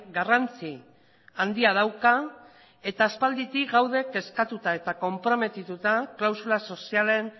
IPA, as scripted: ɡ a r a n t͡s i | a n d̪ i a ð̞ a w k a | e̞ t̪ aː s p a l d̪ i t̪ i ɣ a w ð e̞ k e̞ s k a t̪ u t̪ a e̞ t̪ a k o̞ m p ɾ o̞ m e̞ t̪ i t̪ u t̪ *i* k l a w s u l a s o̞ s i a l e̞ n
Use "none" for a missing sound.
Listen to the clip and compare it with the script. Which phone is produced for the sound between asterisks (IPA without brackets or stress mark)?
a